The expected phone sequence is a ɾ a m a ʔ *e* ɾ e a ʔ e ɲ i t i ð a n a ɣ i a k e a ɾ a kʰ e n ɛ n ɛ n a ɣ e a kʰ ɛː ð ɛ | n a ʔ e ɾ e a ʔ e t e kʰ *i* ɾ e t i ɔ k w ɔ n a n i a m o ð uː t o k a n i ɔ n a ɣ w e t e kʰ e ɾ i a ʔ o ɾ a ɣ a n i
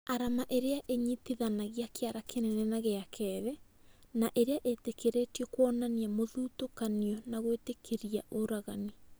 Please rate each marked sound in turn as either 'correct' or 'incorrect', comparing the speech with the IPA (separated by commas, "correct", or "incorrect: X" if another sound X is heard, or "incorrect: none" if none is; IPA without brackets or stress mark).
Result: correct, incorrect: e